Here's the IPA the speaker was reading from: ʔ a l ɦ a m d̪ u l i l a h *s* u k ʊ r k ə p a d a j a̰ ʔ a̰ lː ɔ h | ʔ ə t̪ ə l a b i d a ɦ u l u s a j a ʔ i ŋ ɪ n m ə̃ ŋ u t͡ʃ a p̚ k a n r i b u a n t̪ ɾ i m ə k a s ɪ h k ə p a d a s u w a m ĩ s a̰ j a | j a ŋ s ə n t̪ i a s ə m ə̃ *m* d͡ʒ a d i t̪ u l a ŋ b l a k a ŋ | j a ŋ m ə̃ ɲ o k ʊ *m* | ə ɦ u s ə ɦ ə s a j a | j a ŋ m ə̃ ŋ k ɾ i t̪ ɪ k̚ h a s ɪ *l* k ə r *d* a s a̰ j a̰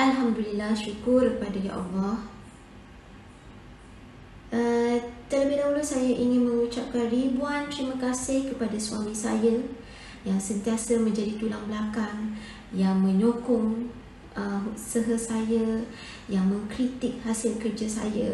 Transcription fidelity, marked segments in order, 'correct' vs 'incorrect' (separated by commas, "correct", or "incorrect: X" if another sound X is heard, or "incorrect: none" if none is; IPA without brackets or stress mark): incorrect: ʃ, incorrect: ɲ, incorrect: ŋ, correct, incorrect: d͡ʒ